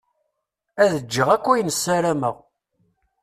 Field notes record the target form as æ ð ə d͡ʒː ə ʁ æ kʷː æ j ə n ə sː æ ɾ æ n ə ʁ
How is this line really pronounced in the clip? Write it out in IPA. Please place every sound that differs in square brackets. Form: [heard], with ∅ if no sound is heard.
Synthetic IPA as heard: æ ð ə d͡ʒː ə ʁ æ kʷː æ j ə n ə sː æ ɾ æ [m] ə ʁ